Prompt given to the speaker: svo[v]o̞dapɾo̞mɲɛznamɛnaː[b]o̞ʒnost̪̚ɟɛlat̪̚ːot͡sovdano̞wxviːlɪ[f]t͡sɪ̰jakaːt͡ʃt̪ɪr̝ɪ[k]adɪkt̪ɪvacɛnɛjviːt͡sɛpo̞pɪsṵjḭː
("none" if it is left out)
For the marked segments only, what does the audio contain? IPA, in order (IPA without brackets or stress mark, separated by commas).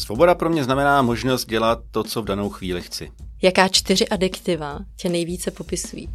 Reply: b, m, x, ʔ